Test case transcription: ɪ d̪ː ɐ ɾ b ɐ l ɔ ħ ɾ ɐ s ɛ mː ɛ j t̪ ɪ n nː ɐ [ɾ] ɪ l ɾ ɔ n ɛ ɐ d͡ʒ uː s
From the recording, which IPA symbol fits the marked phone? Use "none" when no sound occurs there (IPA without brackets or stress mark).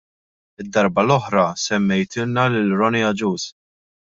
l